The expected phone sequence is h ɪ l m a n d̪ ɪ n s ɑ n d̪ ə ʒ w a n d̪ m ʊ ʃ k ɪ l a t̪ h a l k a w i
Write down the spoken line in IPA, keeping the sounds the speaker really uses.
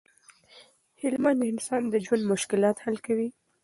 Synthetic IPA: h ɪ l m a n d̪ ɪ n s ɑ n d̪ ə d͡ʒ w a n d̪ m ʊ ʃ k ɪ l ɑ t̪ h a l k a w i